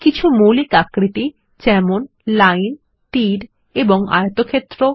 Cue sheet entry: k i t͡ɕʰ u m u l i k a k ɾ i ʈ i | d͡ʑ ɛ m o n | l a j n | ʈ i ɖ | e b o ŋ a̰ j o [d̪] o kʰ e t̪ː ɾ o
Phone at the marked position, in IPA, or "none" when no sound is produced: t̪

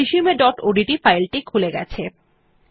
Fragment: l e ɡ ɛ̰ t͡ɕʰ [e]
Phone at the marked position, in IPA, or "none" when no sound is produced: e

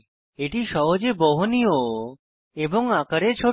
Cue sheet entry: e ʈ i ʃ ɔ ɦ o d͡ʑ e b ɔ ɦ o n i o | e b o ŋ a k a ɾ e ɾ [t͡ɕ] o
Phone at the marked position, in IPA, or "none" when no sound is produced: t͡ɕʰ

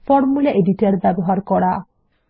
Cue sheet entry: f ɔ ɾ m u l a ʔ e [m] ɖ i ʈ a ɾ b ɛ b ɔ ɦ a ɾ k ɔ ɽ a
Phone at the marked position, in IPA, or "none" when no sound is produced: none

